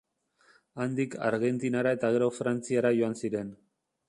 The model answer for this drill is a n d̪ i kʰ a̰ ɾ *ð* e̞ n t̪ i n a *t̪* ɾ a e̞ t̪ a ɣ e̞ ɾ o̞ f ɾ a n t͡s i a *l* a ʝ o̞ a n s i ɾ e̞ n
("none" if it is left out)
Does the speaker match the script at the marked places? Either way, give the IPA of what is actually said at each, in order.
ɣ, none, ɾ

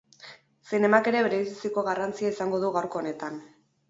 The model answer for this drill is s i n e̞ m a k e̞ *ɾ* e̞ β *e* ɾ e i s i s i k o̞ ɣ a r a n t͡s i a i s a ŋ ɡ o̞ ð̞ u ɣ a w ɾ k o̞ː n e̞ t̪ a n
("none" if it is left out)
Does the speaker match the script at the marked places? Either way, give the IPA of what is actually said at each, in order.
ɾ, e

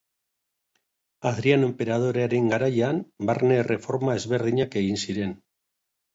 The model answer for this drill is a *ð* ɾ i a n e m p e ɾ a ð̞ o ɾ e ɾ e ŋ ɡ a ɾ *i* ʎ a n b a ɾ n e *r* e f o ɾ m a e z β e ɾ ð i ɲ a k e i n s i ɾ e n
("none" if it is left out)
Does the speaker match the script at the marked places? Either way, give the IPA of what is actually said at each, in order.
ð, a, r

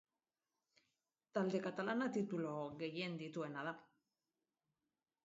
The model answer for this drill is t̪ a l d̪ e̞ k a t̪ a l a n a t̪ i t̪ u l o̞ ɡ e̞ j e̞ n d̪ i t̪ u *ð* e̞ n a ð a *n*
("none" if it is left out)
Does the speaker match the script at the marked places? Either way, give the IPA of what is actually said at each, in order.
none, none

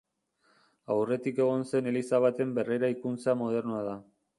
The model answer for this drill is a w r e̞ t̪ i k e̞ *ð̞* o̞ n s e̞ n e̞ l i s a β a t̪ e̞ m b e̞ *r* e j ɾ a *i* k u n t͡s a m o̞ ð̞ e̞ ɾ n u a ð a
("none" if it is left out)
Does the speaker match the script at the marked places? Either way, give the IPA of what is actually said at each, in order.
ɣ̞, r, i

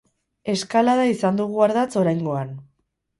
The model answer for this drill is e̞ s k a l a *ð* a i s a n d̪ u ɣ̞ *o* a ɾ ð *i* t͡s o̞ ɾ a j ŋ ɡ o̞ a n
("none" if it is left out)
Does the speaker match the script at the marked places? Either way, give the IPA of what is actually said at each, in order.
ð, u, a

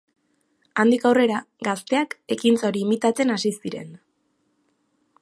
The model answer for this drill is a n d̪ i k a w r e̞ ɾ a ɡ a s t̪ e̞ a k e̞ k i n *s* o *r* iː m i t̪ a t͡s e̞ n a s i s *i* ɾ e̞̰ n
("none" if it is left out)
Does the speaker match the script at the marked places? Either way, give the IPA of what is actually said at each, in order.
t͡s, ɾ, i

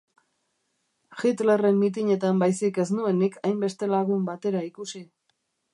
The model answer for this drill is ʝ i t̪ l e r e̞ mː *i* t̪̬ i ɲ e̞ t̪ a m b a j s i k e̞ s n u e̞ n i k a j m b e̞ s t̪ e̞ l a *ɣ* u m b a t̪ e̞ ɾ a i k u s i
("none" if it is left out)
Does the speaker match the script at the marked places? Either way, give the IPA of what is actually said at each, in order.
i, ɣ

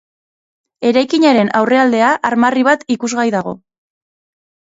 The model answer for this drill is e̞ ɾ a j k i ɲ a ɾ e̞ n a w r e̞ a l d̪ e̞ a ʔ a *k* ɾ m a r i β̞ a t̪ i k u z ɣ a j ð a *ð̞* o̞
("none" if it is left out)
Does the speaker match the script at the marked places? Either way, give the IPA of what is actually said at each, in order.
none, ɣ̞

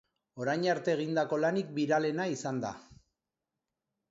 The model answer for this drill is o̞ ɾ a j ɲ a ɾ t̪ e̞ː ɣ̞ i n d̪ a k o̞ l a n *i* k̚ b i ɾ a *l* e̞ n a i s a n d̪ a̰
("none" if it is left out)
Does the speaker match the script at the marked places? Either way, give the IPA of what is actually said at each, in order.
i, l

